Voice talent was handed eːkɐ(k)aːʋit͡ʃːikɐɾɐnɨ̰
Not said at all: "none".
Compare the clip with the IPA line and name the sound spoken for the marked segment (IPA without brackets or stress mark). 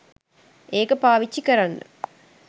p